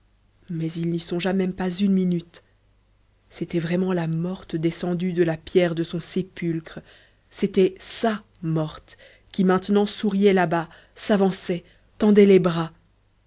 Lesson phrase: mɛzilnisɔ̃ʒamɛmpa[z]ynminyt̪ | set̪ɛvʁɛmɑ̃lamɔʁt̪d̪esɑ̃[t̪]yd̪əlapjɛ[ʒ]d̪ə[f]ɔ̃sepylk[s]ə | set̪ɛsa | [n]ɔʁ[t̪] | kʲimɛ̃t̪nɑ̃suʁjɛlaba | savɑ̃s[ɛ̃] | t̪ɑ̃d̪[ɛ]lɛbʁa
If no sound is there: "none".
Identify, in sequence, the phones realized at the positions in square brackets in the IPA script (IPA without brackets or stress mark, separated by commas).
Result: z, d̪, ʁ, s, χ, m, t̪, ɛ, ɛ